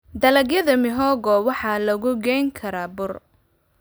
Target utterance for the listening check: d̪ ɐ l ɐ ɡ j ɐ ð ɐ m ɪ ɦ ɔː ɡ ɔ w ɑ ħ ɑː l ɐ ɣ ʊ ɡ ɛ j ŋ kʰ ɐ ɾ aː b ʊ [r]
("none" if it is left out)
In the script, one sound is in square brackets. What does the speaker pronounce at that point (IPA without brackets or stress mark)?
r